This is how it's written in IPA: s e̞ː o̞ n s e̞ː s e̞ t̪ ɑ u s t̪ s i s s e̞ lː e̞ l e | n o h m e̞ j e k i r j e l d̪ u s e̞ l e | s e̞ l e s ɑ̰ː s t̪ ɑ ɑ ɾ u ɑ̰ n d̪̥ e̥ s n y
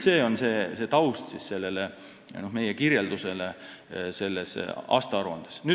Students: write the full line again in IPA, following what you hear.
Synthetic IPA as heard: s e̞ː o̞ n s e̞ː s e̞ t̪ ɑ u s t̪ s i s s e̞ lː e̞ l e | n o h m e̞ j e k i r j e l d̪ u s e̞ l e | s e̞ lː e s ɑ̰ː s t̪ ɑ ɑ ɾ u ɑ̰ n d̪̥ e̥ s n y